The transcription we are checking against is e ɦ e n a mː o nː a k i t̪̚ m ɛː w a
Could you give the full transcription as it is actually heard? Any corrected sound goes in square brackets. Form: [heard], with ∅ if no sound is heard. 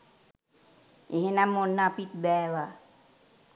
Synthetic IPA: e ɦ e n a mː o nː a [p] i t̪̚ [b] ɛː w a